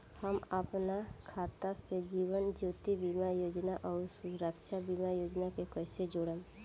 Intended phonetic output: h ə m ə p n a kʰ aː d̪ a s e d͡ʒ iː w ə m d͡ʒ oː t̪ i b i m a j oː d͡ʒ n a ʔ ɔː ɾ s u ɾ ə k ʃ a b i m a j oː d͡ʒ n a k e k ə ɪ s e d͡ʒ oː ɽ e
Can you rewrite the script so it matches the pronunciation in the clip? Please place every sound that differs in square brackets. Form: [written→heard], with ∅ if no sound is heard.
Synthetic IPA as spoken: h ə m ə p n a kʰ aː [d̪→t̪] a s e d͡ʒ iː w ə [m→n] d͡ʒ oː t̪ i b i m a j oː d͡ʒ n a ʔ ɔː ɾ s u ɾ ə k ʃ a b i m a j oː d͡ʒ n a k e k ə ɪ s e d͡ʒ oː ɽ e